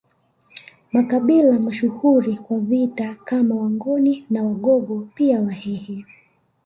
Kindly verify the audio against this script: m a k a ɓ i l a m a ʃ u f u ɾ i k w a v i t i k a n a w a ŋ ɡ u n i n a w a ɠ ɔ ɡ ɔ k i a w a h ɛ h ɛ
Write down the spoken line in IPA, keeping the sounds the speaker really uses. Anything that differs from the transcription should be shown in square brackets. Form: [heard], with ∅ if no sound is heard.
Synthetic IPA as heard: m a k a ɓ i l a m a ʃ u [h] u ɾ i k w a v i t [a] k a [m] a w a ŋ ɡ [ɔ] n i n a w a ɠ ɔ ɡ ɔ [p] i a w a h ɛ h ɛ